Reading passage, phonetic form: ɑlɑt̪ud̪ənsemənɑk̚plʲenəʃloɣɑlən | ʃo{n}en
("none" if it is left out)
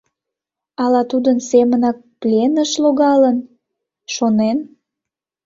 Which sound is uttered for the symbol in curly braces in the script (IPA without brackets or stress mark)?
n